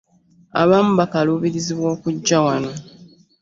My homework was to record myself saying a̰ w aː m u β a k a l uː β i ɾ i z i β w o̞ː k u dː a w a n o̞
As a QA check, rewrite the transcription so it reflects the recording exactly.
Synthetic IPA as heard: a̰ β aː m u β a k a l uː β i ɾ i z i β w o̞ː k u ɟː a w a n o̞